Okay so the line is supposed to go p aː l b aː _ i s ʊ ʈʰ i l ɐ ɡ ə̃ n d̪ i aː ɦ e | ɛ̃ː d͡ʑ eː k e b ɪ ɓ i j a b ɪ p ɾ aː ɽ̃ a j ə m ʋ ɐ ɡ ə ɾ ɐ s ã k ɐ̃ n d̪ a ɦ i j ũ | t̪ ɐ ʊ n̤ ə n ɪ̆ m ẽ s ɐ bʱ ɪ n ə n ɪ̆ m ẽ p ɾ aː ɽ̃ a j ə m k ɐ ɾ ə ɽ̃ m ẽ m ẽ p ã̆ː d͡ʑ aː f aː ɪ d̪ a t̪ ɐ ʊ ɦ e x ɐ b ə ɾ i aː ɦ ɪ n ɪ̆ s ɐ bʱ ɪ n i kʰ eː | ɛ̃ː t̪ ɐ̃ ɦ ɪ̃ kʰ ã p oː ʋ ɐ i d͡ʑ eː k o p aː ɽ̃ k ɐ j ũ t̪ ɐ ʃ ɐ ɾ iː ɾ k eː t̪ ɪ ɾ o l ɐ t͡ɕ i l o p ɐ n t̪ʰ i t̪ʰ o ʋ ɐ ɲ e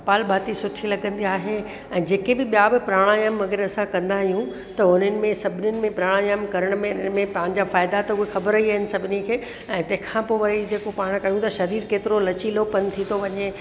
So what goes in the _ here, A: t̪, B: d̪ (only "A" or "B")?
A